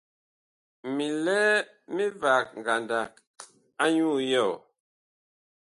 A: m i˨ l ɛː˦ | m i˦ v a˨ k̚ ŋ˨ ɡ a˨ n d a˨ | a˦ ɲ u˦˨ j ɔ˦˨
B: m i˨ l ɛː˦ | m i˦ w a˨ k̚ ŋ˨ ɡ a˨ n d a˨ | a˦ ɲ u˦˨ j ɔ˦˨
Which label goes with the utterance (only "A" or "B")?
A